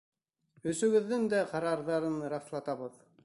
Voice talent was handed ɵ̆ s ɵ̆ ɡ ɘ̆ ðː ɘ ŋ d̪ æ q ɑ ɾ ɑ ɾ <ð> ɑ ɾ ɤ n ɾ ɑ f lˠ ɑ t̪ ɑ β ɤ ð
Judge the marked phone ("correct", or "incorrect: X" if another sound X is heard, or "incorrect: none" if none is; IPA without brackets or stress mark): correct